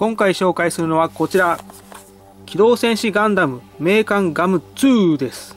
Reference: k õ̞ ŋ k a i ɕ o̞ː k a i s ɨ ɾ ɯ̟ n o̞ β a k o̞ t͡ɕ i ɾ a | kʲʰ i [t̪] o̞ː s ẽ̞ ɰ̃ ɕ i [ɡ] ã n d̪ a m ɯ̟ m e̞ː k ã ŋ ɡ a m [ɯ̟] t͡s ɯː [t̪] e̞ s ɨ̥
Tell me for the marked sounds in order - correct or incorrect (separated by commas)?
incorrect, correct, correct, incorrect